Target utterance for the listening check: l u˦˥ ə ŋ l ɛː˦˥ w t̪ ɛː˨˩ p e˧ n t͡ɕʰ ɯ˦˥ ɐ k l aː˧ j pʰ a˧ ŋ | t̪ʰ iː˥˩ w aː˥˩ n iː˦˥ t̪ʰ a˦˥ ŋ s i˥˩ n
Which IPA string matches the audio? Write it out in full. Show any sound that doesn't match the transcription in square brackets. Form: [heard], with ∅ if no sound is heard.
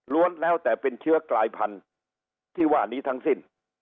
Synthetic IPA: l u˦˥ ə [n] l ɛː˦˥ w t̪ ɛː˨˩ p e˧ n t͡ɕʰ ɯ˦˥ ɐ k l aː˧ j pʰ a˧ [n] | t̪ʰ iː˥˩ w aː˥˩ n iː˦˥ t̪ʰ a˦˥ ŋ s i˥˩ n